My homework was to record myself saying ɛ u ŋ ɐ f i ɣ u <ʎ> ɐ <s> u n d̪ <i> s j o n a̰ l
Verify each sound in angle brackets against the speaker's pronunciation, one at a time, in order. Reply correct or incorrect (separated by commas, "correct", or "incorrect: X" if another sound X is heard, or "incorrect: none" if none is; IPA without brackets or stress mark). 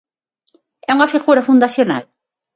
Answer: incorrect: ɾ, incorrect: f, incorrect: a